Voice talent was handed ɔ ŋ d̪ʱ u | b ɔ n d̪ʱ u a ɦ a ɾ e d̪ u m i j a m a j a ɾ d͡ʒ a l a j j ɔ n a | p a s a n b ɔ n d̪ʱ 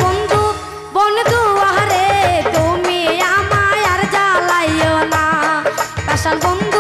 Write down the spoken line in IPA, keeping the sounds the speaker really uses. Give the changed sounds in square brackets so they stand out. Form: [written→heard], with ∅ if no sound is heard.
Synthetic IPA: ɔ [ŋ→n] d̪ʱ u | b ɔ n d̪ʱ u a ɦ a ɾ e [d̪→t̪] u m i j a m a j a ɾ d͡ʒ a l a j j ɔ n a | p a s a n b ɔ n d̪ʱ